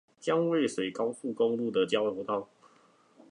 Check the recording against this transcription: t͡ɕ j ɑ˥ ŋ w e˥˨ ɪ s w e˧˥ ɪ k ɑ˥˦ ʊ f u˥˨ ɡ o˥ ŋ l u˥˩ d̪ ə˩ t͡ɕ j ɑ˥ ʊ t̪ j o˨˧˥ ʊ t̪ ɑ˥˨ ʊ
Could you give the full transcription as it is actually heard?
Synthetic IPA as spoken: t͡ɕ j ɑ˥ ŋ w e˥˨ ɪ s w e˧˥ ɪ k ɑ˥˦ ʊ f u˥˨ k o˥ ŋ l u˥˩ d̪ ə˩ t͡ɕ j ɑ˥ ʊ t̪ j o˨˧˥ ʊ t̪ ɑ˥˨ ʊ